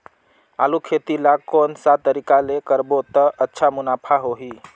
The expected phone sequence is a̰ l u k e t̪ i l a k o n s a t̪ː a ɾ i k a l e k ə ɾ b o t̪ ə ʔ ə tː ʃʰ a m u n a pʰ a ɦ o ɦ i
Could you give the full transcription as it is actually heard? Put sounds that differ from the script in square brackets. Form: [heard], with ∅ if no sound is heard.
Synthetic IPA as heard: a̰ l u [kʰ] e t̪ i l a k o n s a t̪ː [ə] ɾ i k a l e k ə ɾ b o t̪ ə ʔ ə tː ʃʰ a m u n a pʰ a ɦ o ɦ i